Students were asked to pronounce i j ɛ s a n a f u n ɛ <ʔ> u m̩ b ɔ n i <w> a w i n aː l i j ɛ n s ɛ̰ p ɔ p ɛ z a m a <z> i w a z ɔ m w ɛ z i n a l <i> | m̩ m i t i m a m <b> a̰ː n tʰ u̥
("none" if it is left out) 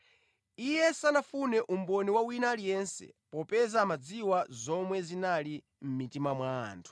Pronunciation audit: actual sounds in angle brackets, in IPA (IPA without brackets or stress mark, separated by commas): ʔ, w, d͡z, i, w